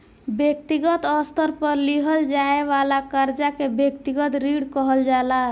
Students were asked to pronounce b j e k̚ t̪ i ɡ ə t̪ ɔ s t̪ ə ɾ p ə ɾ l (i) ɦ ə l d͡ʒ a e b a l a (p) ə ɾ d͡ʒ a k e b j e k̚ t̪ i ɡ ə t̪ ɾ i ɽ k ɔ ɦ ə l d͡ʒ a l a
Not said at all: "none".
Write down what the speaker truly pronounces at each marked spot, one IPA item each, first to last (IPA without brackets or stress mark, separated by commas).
i, k